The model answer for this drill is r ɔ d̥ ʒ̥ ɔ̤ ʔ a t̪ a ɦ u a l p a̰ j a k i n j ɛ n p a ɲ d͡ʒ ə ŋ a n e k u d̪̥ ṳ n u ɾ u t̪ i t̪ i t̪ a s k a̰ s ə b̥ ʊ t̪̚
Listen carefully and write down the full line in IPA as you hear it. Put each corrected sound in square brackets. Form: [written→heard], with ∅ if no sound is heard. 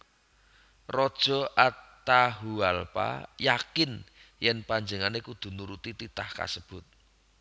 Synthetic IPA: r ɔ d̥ ʒ̥ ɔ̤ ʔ a t̪ a ɦ u a l p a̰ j a k [i→ɪ] n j ɛ n p a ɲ d͡ʒ ə ŋ a n e k u d̪̥ ṳ n u ɾ u t̪ i t̪ i t̪ a [s→h] k a̰ s ə b̥ ʊ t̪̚